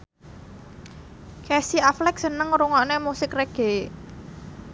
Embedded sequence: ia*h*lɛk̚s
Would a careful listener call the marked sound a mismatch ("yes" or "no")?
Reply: yes